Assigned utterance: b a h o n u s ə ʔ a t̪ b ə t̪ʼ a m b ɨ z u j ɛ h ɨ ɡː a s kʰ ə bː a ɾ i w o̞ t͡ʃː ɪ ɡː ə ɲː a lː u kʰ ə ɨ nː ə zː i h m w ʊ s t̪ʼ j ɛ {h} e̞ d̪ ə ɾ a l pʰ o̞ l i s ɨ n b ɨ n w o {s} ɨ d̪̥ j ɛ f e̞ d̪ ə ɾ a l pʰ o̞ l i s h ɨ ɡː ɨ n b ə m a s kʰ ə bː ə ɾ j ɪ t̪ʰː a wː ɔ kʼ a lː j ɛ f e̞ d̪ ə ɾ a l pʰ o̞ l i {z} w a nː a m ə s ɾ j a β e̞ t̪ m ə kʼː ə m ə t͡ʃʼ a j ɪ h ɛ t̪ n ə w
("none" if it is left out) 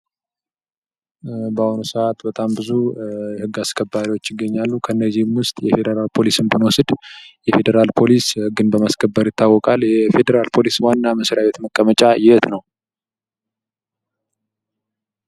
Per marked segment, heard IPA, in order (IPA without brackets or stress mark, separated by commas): f, s, s